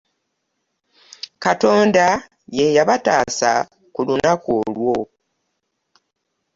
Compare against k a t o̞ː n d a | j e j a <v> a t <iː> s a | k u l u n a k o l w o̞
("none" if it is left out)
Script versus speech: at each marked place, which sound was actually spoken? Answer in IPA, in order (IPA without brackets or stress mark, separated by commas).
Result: β, aː